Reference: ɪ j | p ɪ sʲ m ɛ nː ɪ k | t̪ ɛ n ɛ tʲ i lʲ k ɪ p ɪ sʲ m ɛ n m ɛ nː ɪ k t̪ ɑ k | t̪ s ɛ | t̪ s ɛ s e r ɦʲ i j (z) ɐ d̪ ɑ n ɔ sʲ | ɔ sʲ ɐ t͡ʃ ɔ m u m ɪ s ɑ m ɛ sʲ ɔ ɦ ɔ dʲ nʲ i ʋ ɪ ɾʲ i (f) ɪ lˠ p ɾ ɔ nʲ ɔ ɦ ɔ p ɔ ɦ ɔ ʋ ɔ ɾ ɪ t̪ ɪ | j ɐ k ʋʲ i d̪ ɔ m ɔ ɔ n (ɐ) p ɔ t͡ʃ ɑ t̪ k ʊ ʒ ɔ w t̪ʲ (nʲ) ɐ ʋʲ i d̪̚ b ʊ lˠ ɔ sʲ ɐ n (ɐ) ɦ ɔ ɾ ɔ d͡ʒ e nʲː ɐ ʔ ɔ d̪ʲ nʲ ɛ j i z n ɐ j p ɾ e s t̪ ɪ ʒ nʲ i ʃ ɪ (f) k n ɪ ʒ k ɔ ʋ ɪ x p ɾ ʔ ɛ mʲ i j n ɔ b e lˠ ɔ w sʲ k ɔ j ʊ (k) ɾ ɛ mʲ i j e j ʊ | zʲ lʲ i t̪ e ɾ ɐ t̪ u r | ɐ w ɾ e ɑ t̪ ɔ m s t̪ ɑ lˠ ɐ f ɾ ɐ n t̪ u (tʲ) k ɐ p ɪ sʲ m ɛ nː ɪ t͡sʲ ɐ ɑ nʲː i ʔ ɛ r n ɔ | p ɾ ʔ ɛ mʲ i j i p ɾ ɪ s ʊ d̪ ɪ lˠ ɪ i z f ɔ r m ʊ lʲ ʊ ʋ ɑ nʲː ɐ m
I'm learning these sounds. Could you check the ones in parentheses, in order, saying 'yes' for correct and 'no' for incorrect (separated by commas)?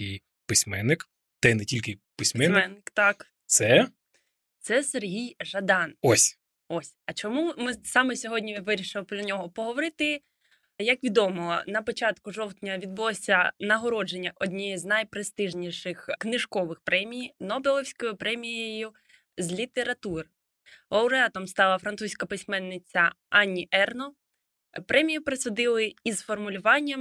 no, no, yes, yes, yes, no, no, no